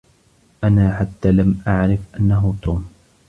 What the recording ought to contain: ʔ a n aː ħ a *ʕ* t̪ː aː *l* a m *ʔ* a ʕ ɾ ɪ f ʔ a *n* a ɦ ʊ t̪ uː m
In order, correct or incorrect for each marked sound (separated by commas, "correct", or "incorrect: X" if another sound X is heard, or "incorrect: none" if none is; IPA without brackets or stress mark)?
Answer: incorrect: none, correct, correct, incorrect: nː